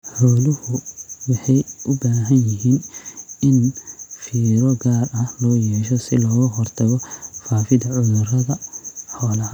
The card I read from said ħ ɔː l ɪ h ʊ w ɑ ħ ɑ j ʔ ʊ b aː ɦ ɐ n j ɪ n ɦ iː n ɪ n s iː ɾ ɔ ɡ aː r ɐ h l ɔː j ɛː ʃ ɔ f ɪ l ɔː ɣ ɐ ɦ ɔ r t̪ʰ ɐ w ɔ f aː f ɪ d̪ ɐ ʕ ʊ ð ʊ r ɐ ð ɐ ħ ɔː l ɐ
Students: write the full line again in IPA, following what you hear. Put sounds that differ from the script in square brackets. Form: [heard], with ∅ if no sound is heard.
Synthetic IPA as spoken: ħ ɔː l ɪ h ʊ w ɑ ħ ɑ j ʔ ʊ b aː ɦ ɐ n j ɪ [∅] ɦ iː n ɪ n [f] iː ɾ ɔ ɡ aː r ɐ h l ɔː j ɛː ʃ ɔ [s] ɪ l ɔː ɣ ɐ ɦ ɔ r t̪ʰ ɐ [ɣ] ɔ f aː f ɪ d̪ ɐ ʕ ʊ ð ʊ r ɐ ð ɐ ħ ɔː l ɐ